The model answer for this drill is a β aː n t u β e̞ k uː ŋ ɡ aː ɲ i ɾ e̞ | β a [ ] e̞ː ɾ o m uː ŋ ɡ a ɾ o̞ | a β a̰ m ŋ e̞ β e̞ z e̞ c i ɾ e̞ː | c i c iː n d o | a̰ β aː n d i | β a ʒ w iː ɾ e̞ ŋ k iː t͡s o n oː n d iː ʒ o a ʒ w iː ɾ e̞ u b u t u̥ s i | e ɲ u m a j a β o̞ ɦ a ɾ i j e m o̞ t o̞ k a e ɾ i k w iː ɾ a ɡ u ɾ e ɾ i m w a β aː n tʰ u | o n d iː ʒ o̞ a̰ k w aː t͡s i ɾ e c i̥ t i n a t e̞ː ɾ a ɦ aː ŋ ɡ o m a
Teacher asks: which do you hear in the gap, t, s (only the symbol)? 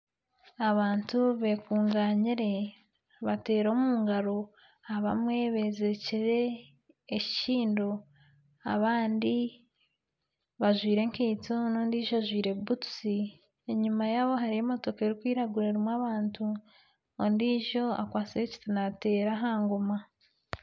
t